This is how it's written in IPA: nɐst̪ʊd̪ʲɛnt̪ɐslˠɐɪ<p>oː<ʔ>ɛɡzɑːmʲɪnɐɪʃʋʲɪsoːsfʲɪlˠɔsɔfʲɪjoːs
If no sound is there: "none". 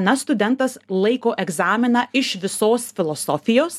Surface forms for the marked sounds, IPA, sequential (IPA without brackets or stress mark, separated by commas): k, ʔ